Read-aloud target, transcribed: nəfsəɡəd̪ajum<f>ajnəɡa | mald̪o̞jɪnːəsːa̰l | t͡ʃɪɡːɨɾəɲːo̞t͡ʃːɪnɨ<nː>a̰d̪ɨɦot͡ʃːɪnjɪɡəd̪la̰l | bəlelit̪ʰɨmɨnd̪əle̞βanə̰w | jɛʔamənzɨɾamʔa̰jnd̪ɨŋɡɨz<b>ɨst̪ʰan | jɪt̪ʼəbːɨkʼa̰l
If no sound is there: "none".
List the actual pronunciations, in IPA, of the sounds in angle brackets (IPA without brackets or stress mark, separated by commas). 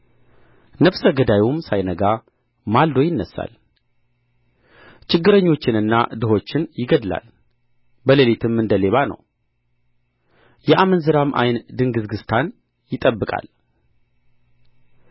s, nː, ɡ